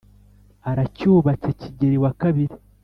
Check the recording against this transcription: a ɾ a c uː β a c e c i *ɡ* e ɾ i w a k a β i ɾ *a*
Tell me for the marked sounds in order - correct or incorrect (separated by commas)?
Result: incorrect, incorrect